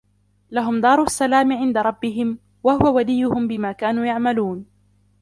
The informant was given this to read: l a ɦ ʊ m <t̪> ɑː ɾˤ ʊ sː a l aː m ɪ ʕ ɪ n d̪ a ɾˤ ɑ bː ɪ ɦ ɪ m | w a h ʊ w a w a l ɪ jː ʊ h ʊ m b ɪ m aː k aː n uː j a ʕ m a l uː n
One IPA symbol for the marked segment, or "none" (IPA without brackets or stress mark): d̪